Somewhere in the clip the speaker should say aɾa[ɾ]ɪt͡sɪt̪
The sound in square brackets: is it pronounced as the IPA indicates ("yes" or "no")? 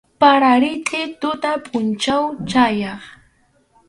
yes